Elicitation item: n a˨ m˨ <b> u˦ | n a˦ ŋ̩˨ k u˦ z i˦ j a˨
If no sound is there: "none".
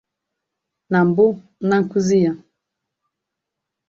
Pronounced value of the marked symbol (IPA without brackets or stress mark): b